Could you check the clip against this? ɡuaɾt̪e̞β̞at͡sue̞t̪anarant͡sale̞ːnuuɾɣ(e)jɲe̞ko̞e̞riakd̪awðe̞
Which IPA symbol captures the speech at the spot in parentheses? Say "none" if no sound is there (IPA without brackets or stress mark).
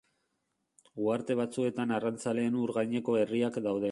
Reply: a